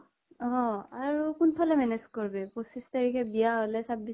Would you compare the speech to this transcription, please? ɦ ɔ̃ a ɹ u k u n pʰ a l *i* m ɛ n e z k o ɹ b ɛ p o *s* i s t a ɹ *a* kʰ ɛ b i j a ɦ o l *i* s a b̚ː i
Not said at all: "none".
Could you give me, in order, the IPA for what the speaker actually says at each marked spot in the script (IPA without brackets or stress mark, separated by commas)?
ɛ, s, i, ɛ